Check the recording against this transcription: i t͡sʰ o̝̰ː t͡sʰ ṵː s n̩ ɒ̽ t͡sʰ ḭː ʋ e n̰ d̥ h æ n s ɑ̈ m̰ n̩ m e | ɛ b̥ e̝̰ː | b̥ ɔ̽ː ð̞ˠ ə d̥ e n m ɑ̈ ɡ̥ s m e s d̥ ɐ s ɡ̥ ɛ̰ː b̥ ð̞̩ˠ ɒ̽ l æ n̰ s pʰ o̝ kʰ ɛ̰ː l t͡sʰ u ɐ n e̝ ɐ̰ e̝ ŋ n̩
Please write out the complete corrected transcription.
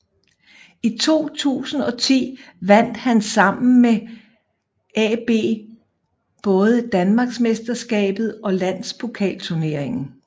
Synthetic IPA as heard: i t͡sʰ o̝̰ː t͡sʰ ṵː s n̩ ɒ̽ t͡sʰ ḭː ʋ æ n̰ d̥ h æ n s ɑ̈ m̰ n̩ m e | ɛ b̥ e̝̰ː | b̥ ɔ̽ː ð̞ˠ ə d̥ æ n m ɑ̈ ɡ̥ s m e s d̥ ɐ s ɡ̥ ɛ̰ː b̥ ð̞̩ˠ ɒ̽ l æ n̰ s pʰ o̝ kʰ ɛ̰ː l t͡sʰ u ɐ n e̝ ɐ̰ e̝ ŋ n̩